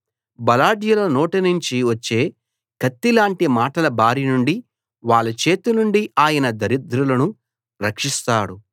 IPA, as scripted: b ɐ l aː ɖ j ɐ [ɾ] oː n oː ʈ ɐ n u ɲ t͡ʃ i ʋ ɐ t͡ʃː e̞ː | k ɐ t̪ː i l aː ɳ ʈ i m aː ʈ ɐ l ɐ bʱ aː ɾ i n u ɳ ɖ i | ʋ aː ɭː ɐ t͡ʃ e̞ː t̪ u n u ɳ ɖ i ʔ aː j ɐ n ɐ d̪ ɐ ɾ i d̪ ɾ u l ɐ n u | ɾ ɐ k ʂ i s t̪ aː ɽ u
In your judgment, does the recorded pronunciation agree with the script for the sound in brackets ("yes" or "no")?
no